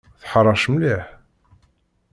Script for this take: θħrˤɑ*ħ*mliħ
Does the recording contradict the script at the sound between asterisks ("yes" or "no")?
yes